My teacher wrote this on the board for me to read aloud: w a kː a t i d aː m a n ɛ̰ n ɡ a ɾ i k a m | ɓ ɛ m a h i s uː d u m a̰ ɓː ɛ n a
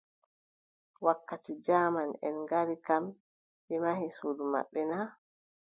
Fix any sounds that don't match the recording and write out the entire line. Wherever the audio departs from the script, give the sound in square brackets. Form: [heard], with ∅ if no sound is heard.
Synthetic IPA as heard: w a kː a t i [d͡ʒ] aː m a n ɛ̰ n ɡ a ɾ i k a m | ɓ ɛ m a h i s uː d u m a̰ ɓː ɛ n a